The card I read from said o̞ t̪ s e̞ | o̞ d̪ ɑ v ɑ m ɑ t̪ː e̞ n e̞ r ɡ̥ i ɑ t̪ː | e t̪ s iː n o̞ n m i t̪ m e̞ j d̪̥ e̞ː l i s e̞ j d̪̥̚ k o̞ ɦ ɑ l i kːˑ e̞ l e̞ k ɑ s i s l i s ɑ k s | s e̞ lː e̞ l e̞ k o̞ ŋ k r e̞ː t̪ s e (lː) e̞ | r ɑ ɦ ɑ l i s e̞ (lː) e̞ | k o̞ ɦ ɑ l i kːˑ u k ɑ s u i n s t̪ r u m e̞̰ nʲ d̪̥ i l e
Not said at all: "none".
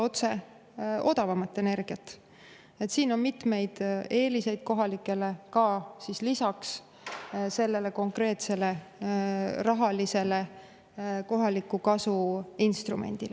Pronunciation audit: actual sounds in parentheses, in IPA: l, l

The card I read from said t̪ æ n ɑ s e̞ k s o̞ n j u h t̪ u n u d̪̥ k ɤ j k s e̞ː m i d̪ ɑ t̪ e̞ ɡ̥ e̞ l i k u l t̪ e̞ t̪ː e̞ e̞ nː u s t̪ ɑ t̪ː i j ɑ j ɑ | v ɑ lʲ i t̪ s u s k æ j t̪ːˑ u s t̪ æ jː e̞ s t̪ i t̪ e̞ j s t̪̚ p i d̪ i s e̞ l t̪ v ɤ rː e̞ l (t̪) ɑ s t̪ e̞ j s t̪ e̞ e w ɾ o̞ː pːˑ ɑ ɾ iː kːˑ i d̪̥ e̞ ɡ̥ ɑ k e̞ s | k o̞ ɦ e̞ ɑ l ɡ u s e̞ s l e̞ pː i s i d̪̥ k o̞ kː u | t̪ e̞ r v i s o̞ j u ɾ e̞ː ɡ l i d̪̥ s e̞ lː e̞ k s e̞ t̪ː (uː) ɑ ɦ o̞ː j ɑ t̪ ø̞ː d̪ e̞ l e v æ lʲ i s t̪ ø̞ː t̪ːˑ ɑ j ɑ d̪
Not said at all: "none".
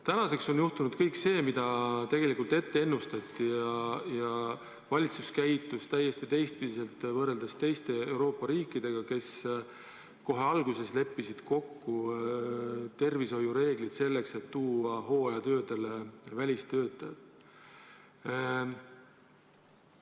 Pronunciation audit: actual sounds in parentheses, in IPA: d̪, uː

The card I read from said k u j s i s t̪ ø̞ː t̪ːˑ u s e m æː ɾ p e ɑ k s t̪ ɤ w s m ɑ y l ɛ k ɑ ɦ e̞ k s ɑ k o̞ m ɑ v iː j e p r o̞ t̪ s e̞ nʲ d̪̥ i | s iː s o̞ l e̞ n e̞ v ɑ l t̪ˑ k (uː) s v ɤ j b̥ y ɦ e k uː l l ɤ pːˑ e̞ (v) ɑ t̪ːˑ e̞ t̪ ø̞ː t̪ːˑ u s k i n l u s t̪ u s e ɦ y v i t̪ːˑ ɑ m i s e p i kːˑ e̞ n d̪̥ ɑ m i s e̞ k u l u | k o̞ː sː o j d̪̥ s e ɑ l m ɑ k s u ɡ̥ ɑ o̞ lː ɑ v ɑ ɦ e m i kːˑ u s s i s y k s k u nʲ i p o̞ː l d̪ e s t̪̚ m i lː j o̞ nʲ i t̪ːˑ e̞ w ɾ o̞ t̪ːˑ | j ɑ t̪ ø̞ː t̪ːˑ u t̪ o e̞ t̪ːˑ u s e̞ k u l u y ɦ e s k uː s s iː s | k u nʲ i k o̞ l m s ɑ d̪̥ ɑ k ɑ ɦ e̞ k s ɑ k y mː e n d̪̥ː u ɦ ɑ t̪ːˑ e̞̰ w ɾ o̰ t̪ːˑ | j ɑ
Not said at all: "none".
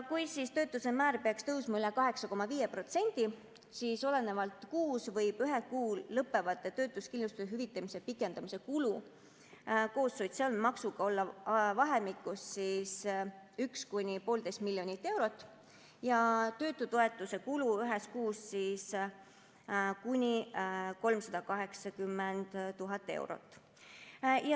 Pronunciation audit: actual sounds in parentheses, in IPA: uː, v

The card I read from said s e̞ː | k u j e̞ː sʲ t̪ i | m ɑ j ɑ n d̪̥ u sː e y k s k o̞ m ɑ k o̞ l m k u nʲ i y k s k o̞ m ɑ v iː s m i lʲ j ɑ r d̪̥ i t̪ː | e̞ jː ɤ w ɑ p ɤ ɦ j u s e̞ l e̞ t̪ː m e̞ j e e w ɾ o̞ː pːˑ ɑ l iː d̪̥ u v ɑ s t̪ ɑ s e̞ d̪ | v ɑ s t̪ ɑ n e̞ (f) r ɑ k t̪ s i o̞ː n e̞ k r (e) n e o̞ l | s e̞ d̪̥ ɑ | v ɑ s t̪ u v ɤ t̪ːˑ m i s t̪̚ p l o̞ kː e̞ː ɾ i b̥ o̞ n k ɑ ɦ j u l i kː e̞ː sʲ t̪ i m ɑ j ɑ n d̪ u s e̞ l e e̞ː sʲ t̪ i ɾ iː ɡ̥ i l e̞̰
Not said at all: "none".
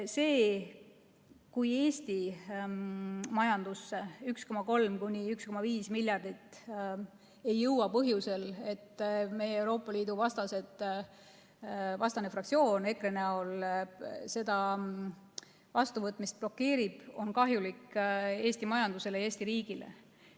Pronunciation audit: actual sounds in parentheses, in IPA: f, e

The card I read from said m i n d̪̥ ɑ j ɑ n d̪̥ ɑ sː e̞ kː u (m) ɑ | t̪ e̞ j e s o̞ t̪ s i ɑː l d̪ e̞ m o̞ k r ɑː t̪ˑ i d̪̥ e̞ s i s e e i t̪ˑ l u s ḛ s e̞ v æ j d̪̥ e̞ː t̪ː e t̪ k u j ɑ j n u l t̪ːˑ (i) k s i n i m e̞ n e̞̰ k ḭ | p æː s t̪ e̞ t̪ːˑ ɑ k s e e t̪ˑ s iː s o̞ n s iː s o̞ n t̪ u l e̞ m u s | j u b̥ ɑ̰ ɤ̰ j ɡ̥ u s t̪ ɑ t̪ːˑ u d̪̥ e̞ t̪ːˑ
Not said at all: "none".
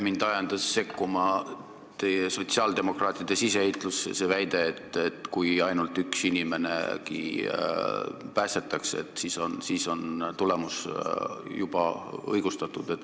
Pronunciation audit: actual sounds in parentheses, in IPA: m, y

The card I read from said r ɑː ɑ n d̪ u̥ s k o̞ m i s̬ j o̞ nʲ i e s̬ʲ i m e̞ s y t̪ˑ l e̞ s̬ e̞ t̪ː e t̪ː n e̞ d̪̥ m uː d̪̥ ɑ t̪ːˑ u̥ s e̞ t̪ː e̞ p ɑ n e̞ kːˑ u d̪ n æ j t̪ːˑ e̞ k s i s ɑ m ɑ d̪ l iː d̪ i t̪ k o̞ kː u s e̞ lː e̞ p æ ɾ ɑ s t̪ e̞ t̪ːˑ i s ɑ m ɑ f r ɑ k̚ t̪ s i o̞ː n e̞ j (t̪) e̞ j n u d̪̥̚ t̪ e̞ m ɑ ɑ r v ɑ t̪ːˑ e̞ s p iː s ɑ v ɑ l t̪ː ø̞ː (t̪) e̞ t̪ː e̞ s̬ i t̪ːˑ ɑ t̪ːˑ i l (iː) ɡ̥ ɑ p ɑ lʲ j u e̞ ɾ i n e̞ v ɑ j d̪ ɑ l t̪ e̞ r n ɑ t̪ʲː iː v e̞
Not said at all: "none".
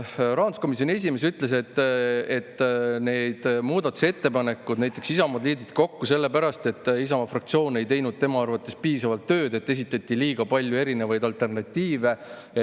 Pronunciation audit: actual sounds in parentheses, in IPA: t̪, d̪, iː

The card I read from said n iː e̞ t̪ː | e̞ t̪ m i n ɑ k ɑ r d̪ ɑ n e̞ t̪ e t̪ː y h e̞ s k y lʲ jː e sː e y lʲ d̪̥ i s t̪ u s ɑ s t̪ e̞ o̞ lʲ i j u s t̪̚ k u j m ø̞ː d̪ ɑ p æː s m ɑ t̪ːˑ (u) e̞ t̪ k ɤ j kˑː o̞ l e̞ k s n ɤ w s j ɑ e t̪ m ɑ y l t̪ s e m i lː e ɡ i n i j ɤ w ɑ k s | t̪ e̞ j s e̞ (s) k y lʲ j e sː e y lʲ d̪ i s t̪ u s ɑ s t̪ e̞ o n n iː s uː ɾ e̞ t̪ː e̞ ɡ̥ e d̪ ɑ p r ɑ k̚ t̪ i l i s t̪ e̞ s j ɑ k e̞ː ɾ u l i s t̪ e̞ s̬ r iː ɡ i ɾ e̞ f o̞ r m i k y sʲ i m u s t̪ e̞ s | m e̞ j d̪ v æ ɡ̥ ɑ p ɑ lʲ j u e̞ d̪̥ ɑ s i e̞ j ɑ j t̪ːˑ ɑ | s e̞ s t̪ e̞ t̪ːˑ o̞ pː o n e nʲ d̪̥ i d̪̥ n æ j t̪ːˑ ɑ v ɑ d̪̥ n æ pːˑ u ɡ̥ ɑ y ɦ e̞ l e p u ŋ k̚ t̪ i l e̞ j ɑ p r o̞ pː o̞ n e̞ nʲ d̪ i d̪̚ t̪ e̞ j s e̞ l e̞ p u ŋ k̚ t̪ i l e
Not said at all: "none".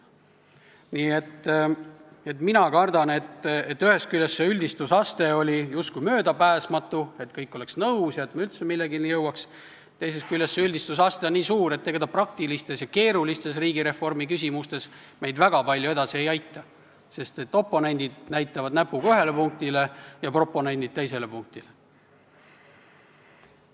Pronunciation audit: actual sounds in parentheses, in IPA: u, s

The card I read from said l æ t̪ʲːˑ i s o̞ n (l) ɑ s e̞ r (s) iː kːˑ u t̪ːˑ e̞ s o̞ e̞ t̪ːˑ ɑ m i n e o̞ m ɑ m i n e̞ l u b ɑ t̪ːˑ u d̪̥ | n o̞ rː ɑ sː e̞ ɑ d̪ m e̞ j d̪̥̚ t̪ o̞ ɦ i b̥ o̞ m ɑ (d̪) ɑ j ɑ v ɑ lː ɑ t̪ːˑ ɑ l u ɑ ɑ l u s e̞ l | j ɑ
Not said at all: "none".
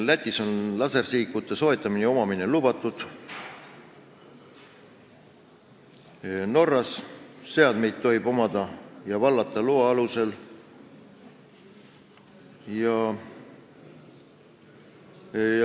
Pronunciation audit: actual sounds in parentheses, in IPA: l, s, d̪

